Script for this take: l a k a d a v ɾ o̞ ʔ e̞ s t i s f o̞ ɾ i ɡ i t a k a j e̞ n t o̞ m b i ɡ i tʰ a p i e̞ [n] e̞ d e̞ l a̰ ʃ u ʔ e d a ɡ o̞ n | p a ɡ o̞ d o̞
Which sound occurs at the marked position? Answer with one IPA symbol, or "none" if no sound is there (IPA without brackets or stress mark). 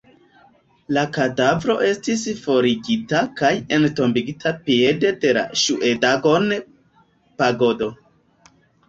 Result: d